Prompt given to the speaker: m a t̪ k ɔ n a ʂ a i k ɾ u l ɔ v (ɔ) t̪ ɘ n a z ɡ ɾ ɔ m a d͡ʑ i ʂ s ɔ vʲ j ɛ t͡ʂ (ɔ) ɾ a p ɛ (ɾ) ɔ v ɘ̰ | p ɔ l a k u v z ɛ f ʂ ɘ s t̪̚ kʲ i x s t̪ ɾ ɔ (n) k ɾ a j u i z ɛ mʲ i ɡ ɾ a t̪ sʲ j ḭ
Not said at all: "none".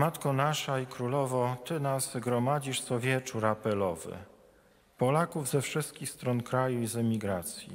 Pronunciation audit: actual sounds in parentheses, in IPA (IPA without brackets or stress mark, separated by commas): ɔ, u, l, n